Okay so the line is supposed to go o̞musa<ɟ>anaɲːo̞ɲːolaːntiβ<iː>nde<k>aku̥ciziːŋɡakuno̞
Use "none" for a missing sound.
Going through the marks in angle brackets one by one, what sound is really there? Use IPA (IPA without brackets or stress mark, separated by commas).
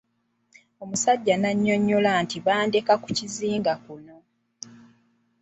ɟː, aː, k